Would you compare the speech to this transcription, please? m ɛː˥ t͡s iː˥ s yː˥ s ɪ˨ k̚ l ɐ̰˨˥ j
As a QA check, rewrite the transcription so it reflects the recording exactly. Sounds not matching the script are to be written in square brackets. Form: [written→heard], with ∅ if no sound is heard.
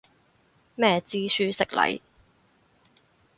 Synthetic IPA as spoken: m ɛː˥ t͡s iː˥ s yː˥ s ɪ˨ k̚ l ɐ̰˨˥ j